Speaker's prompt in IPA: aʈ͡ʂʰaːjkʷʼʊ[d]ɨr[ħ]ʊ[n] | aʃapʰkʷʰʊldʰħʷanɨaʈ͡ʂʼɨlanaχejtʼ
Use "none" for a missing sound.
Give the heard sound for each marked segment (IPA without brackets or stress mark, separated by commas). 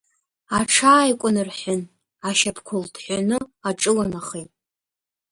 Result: n, ħ, n